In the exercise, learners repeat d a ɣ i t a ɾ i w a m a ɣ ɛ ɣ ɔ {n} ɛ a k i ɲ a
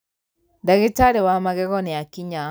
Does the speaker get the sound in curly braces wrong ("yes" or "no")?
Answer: no